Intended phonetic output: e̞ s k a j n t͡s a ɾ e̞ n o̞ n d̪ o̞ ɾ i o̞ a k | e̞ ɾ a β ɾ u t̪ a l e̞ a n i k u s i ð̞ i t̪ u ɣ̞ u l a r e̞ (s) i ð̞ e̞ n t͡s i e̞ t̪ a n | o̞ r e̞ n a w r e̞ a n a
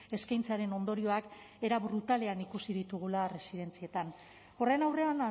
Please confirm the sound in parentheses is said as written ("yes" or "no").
yes